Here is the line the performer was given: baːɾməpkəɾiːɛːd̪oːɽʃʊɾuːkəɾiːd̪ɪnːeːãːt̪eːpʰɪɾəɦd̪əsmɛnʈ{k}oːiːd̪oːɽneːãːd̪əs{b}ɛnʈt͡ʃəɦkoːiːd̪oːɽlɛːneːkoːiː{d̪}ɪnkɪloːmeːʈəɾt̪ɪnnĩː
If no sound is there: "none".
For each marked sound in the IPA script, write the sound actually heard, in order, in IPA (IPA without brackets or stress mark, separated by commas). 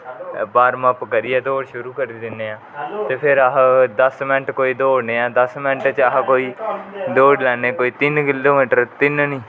k, m, t̪